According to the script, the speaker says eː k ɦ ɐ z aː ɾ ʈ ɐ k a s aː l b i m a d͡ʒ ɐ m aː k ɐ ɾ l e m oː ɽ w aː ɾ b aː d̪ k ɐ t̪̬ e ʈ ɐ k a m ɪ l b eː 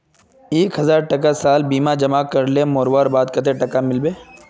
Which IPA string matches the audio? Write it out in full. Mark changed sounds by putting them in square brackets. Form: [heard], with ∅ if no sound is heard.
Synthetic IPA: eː k ɦ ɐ z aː ɾ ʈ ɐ k a s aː l b [iː] m a d͡ʒ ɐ m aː k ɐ ɾ l e m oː [ɾ] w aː ɾ b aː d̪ k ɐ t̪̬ e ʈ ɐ k a m ɪ l b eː